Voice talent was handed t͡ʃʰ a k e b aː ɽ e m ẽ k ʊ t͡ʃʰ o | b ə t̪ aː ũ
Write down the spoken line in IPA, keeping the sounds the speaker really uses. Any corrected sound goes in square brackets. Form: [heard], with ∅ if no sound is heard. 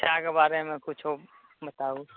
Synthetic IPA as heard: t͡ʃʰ a k e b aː [ɾ] e m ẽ k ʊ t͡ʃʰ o | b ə t̪ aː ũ